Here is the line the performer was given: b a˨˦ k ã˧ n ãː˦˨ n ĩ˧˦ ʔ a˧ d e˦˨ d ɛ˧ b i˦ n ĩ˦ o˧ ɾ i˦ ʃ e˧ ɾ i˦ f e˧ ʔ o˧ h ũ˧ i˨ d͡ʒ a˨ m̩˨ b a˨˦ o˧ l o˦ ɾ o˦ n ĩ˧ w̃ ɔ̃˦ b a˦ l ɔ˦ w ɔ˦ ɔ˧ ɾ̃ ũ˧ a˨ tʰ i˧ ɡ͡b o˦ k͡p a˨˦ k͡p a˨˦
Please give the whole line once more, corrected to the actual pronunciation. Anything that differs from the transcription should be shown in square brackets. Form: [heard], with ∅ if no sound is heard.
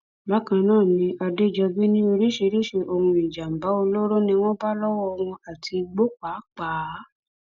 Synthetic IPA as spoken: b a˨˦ k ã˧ n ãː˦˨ n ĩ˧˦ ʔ a˧ d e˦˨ [d͡ʒ] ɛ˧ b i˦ n ĩ˦ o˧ ɾ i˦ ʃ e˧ ɾ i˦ [ʃ] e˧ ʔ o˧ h ũ˧ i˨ d͡ʒ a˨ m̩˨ b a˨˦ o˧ l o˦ ɾ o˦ n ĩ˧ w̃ ɔ̃˦ b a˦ l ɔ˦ w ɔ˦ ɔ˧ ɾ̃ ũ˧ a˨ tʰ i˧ ɡ͡b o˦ k͡p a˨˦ k͡p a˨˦

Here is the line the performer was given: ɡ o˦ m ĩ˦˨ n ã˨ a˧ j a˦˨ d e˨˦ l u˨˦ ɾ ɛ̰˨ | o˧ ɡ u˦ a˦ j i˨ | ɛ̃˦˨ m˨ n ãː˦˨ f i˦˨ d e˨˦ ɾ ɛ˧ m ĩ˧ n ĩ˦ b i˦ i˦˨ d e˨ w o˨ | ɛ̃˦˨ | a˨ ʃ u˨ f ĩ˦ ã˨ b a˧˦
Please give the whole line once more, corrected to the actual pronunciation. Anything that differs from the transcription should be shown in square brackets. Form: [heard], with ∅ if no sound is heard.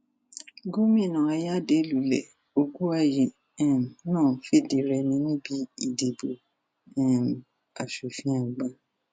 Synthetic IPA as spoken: ɡ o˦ m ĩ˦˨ n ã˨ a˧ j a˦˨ d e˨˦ l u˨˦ [l] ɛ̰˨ | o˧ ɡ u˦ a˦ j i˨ | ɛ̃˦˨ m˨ n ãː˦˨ f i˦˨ d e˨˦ ɾ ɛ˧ [n] ĩ˧ n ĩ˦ b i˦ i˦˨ d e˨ [b] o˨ | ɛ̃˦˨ | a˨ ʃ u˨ f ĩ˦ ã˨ [ɡ͡b] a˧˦

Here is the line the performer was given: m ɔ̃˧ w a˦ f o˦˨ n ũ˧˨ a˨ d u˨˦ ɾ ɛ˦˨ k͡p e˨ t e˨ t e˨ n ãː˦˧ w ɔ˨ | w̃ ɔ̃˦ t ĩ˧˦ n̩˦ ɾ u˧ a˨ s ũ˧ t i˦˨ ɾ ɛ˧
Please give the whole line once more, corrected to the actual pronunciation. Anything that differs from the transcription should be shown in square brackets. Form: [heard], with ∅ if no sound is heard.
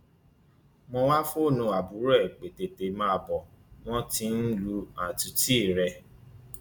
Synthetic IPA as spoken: m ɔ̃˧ w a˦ f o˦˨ n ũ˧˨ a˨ [b] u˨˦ ɾ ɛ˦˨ k͡p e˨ t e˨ t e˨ [m] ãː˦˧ [b] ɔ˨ | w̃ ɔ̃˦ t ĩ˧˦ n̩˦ [l] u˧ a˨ [t] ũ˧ t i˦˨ ɾ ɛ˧

